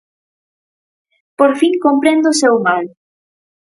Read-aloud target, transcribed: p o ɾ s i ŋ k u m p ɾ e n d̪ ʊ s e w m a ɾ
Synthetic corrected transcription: p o ɾ f i ŋ k o m p ɾ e n d̪ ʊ s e w m a l